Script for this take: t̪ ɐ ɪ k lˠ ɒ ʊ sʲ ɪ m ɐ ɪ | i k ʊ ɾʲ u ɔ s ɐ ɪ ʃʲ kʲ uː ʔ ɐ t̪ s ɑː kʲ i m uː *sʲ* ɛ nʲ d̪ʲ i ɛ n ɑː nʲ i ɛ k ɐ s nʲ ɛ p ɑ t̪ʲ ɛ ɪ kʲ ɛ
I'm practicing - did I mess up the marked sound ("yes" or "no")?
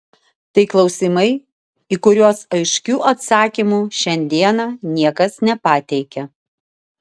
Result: yes